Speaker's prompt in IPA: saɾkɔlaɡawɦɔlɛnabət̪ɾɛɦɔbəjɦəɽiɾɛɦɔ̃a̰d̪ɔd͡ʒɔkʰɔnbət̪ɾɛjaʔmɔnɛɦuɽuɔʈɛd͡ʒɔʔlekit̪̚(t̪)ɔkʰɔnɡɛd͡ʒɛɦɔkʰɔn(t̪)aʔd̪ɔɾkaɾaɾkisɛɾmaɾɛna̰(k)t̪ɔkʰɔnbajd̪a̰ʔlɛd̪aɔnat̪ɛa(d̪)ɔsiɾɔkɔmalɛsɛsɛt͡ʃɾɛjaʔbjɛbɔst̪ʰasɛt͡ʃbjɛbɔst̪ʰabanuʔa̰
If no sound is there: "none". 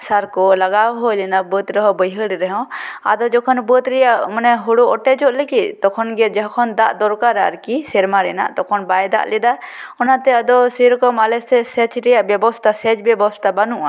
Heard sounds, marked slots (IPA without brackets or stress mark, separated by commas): t̪, d̪, ʔ, d̪